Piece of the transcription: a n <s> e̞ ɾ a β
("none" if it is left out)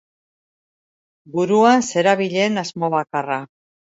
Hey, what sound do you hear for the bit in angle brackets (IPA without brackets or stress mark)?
s